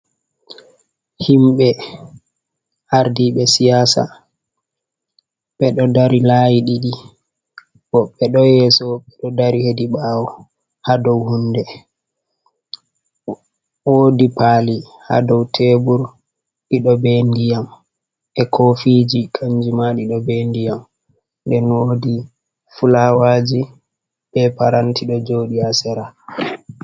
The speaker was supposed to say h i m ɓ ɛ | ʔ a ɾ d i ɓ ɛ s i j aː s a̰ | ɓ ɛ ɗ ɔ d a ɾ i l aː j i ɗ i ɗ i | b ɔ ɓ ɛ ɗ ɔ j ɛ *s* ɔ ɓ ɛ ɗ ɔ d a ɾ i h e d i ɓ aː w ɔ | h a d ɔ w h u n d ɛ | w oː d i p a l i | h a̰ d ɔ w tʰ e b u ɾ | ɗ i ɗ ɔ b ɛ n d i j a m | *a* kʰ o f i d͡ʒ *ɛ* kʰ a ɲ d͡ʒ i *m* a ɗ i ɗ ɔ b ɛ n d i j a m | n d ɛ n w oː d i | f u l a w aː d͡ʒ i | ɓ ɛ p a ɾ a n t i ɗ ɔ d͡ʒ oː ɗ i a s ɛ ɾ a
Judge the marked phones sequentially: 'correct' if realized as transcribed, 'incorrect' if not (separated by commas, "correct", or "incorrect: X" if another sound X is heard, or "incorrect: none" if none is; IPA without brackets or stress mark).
correct, incorrect: ɛ, incorrect: i, correct